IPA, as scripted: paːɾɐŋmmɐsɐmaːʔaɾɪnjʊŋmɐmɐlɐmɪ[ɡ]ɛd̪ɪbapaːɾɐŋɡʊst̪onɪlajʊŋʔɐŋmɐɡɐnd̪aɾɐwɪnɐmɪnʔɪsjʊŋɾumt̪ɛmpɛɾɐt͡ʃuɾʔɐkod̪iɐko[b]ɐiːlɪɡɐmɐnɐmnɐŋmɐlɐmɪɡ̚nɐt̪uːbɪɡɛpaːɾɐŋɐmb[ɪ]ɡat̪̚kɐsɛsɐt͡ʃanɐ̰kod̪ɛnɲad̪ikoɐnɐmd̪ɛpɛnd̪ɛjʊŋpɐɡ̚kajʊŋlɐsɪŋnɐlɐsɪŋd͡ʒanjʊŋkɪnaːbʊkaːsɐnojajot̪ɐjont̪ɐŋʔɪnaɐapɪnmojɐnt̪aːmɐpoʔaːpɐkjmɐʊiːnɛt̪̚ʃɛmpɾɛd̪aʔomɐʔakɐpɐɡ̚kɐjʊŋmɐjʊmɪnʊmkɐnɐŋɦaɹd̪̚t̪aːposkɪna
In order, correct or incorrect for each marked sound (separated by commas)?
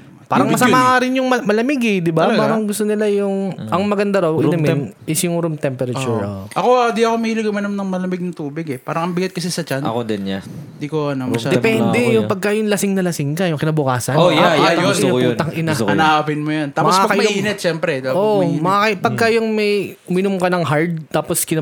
correct, incorrect, correct